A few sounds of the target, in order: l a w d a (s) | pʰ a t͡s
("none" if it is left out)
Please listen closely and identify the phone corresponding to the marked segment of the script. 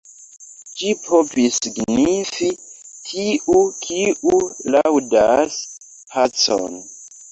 s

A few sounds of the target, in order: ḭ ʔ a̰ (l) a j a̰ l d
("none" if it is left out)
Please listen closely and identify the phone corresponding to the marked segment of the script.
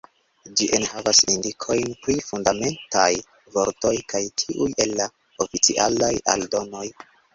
l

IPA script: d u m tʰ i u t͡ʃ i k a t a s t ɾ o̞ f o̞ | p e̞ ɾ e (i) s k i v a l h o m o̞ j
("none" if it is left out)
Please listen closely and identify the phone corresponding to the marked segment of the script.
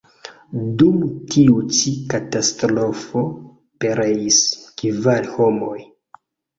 i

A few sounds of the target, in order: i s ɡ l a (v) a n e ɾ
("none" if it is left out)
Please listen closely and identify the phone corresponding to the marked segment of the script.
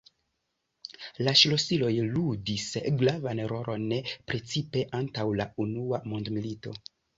v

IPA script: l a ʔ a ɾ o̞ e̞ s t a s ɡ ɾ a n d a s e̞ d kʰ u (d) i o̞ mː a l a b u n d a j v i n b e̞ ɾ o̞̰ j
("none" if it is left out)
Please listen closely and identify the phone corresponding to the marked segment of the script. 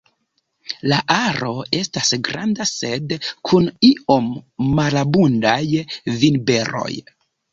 n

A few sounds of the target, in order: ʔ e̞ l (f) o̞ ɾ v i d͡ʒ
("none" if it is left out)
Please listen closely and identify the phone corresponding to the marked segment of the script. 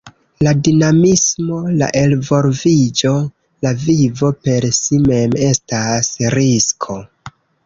v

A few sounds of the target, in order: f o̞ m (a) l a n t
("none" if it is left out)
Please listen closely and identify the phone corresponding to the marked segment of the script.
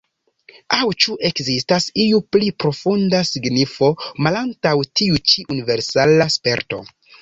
a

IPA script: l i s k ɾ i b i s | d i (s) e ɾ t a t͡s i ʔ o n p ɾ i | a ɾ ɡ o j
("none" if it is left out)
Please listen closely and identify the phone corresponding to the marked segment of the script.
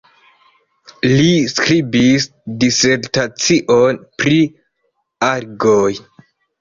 s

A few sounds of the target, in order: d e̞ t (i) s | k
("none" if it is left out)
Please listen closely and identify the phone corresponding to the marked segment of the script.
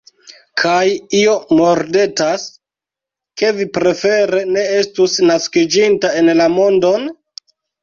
a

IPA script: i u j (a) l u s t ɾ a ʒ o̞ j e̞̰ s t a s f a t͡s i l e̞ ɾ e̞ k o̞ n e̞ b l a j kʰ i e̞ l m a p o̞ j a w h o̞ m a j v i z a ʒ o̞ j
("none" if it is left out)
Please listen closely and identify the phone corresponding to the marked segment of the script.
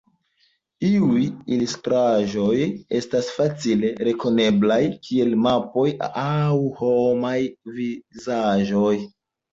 i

